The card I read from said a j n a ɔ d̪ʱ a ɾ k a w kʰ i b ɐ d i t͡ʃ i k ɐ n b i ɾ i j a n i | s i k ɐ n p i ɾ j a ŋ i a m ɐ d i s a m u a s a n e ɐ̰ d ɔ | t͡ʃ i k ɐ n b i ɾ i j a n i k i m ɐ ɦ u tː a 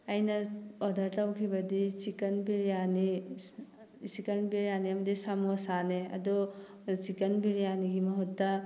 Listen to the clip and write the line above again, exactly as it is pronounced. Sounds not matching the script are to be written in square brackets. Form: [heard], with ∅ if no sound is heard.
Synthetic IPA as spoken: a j n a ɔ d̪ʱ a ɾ [t] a w kʰ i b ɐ d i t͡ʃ i k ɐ n b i ɾ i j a n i | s i k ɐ n [b] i ɾ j a [n] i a m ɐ d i s a m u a s a n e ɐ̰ d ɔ | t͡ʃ i k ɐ n b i ɾ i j a n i [ɡ] i m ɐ ɦ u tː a